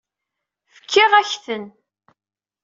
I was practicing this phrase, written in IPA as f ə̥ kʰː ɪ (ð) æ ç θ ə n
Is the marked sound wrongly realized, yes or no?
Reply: yes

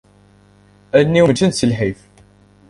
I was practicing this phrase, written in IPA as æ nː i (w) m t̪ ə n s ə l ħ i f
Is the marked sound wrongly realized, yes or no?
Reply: no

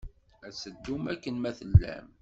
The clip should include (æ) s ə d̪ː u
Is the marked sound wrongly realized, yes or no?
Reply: no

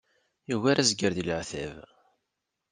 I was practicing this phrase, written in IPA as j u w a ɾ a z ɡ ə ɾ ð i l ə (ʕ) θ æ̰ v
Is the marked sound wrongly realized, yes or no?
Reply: no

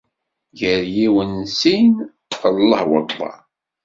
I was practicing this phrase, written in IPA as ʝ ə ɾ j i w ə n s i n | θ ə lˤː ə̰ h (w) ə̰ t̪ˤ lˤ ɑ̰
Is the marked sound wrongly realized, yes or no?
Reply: no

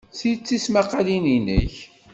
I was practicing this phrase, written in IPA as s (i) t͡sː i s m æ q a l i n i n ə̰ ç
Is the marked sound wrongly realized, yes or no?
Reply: no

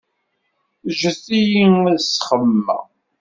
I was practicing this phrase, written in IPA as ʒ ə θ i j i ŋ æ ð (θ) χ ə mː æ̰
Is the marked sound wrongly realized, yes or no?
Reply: yes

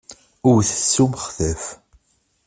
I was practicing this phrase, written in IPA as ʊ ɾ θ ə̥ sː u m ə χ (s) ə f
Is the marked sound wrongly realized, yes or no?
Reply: yes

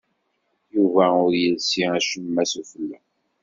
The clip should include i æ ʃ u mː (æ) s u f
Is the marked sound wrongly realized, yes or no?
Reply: no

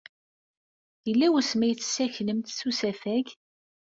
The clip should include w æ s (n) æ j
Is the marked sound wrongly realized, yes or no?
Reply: yes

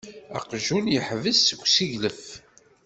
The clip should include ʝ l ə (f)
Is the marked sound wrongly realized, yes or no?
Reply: no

